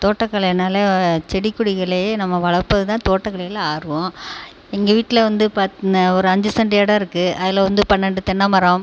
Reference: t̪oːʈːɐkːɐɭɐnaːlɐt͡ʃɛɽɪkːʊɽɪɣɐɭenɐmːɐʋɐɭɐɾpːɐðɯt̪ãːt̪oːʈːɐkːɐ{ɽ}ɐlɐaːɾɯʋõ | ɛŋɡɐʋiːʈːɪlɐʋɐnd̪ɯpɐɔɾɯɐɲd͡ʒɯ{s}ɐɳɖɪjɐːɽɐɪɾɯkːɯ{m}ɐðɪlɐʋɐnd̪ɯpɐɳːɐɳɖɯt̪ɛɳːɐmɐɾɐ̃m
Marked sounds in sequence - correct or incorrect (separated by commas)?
incorrect, correct, incorrect